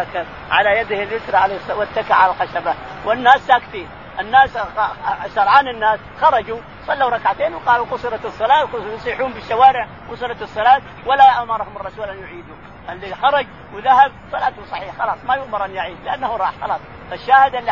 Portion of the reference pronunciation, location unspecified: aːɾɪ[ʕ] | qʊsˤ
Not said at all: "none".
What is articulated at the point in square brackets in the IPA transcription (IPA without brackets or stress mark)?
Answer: ʕ